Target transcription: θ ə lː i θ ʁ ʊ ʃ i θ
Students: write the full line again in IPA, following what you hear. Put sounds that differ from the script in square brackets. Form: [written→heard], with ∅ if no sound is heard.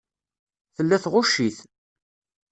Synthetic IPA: θ ə lː [i→æ] θ ʁ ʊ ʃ i θ